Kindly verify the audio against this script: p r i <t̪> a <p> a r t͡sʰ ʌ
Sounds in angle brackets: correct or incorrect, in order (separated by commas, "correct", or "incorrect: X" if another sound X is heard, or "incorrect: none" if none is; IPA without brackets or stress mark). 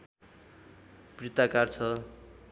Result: correct, incorrect: k